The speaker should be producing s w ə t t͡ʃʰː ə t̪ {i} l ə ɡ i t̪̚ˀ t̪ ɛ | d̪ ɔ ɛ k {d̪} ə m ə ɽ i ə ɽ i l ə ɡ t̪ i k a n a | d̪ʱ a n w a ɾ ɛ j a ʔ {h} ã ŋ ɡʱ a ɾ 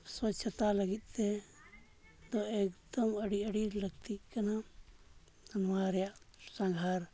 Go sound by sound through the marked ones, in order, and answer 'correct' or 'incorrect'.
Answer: incorrect, correct, incorrect

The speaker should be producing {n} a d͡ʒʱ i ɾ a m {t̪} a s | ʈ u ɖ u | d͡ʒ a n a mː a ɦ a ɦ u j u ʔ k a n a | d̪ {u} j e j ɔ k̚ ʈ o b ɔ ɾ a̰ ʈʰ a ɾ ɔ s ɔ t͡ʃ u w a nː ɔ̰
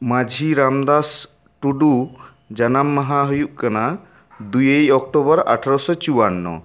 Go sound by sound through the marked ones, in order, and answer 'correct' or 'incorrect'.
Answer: incorrect, incorrect, correct

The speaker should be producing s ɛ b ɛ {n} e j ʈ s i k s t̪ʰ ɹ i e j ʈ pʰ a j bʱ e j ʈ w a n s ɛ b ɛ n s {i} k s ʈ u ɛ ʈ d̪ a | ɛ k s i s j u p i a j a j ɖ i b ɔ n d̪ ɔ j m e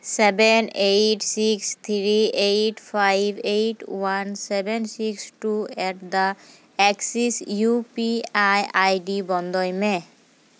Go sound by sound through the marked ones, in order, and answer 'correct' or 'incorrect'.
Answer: correct, correct

